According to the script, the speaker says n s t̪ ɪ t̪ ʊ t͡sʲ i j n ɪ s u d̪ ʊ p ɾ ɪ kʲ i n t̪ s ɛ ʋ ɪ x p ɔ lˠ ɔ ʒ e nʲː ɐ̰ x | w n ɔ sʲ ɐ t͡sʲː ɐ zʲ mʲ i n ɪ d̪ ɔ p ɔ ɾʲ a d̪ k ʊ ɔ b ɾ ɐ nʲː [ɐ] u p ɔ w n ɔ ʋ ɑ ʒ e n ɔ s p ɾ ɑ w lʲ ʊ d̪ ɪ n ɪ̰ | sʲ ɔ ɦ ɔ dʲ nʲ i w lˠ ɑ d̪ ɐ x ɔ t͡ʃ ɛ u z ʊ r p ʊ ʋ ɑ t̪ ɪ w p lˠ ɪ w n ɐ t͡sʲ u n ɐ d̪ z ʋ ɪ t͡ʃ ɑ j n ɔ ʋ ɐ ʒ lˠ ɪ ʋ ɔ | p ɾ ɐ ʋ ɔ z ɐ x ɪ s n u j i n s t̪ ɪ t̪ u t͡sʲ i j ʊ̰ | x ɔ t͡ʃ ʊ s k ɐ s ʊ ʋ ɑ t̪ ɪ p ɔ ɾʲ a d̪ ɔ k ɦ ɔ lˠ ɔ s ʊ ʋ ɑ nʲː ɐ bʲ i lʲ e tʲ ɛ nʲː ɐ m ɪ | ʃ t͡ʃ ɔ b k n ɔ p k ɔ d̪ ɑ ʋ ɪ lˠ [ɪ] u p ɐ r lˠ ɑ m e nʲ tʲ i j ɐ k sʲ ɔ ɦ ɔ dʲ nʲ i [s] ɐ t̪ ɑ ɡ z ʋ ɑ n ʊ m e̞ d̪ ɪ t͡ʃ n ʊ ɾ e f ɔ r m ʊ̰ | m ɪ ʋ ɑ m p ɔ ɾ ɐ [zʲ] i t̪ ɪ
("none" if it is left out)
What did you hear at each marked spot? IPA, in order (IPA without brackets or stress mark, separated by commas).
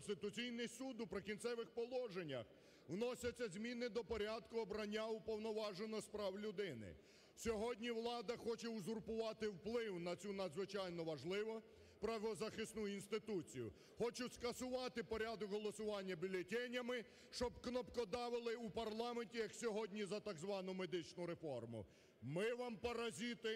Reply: a, ɪ, z, zʲ